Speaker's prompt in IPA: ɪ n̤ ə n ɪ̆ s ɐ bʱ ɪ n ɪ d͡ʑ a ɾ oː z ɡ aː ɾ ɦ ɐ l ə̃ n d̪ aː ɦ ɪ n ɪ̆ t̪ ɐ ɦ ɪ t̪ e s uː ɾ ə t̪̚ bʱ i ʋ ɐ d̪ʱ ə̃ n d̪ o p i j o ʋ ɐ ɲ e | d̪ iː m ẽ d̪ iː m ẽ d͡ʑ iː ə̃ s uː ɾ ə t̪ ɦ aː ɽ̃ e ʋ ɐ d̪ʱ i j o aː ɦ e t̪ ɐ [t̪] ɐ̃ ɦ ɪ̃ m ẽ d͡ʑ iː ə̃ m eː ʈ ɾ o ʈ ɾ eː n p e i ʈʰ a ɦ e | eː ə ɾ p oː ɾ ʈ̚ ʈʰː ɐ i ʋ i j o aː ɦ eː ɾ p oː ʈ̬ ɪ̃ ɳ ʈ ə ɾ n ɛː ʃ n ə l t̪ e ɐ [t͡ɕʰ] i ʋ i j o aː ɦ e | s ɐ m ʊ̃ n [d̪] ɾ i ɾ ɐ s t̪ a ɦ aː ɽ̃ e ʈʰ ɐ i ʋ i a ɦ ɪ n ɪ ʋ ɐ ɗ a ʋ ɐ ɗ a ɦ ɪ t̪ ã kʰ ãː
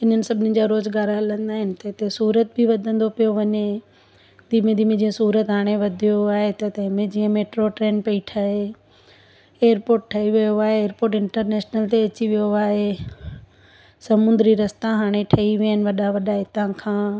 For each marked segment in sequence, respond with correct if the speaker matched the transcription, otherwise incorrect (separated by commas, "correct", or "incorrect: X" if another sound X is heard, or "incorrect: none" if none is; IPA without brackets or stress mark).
correct, incorrect: t͡ɕ, correct